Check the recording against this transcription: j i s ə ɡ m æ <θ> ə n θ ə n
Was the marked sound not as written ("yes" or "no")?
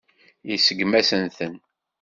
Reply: yes